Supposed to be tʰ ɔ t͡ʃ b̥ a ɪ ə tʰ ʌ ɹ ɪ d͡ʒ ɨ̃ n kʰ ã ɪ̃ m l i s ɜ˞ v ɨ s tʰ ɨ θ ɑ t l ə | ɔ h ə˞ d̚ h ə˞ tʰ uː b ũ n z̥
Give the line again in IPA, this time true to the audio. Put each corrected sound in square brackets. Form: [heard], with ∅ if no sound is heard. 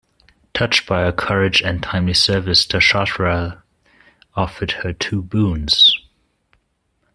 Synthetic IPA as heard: tʰ [ʌ] t͡ʃ b̥ a ɪ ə [kʰ] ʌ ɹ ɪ d͡ʒ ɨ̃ n [tʰ] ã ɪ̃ m l i s ɜ˞ v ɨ s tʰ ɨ [ʃ] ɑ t [ɹ] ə | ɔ [f] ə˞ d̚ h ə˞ tʰ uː b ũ n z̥